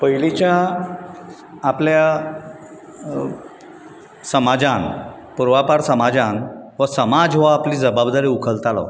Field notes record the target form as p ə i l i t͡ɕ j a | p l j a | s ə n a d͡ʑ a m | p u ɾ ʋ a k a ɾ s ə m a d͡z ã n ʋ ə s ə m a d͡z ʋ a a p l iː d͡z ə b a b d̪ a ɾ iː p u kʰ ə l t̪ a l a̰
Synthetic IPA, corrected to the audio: p ə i l i t͡ɕ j a | p l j a | s ə m a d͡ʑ a n | p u ɾ ʋ a p a ɾ s ə m a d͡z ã n ʋ ə s ə m a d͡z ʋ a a p l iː d͡z ə b a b d̪ a ɾ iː u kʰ ə l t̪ a l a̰